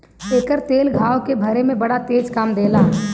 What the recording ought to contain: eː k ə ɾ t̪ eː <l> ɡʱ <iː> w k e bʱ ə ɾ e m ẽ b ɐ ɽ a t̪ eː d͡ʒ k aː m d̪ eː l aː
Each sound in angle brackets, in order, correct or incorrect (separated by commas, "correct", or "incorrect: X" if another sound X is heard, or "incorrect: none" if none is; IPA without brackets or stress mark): correct, incorrect: aː